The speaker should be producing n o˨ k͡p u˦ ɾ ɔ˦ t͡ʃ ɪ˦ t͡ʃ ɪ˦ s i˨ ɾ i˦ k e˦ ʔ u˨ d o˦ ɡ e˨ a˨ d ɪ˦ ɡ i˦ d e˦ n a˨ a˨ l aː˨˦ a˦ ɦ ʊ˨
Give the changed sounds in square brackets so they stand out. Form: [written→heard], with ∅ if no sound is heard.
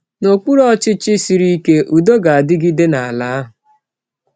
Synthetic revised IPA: n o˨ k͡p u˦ ɾ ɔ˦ t͡ʃ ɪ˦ t͡ʃ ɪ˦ s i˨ ɾ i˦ k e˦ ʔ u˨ d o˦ ɡ [e˨→a˨] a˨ d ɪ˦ ɡ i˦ d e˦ n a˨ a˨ l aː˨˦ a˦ ɦ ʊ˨